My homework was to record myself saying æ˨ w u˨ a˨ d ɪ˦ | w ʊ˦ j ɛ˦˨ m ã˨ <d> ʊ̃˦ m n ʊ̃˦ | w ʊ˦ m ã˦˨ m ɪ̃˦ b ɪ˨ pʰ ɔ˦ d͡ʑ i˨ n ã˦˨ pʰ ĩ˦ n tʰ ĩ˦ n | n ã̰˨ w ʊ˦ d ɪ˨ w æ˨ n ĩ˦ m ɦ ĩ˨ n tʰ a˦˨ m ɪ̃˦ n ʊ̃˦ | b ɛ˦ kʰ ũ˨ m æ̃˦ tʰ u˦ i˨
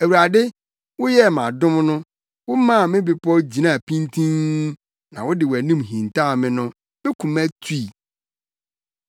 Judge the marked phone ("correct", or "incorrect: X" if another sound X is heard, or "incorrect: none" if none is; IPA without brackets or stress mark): correct